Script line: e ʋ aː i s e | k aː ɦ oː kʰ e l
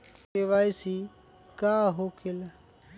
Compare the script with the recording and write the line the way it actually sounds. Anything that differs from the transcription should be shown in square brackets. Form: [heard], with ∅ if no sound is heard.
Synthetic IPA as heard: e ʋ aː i s [i] | k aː ɦ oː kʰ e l